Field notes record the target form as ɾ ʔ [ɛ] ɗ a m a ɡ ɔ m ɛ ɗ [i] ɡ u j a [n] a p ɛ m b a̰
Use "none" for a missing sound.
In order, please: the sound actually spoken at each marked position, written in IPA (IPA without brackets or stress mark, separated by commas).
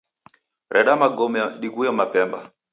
ɛ, i, m